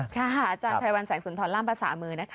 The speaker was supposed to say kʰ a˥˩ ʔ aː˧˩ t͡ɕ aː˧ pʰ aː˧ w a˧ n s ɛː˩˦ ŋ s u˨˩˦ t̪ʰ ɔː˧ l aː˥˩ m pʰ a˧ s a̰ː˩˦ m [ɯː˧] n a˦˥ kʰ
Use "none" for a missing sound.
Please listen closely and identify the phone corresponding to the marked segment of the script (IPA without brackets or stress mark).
ɯː˧